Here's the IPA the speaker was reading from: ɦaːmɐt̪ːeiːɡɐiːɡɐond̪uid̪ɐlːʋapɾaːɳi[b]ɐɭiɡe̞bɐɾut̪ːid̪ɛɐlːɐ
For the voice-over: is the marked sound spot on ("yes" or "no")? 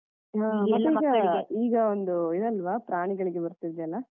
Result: no